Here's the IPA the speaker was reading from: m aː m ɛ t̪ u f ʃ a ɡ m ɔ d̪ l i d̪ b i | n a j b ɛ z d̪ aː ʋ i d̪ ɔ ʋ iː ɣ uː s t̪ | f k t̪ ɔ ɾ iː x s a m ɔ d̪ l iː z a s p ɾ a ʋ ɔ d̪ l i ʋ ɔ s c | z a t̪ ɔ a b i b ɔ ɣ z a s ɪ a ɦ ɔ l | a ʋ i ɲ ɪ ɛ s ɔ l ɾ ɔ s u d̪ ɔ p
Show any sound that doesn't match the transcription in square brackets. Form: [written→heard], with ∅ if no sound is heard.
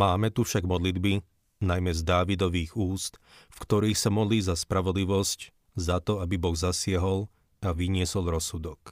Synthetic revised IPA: m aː m ɛ t̪ u f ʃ a ɡ m ɔ d̪ l i d̪ b i | n a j [b→m] ɛ z d̪ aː ʋ i d̪ ɔ ʋ iː ɣ uː s t̪ | f k t̪ ɔ ɾ iː x s a m ɔ d̪ l iː z a s p ɾ a ʋ ɔ d̪ l i ʋ ɔ s c | z a t̪ ɔ a b i b ɔ ɣ z a s ɪ a ɦ ɔ l | a ʋ i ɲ ɪ ɛ s ɔ l ɾ ɔ s u d̪ ɔ [p→k]